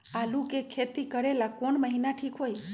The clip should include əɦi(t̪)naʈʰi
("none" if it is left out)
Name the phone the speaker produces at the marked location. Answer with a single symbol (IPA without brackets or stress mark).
none